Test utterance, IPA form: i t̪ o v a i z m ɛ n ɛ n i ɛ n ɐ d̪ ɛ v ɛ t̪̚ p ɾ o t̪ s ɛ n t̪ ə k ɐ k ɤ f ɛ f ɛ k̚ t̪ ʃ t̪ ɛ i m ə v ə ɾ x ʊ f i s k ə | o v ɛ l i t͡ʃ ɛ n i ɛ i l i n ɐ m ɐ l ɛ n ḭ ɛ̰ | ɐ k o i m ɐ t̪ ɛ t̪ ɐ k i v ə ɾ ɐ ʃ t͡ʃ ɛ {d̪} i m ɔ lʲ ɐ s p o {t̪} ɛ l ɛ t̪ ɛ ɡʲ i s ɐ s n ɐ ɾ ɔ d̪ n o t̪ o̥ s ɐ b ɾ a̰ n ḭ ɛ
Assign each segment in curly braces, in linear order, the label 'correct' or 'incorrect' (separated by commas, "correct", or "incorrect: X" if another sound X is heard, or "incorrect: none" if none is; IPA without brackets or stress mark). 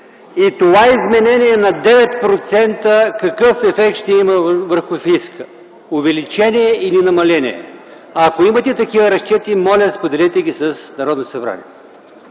incorrect: t̪, incorrect: d̪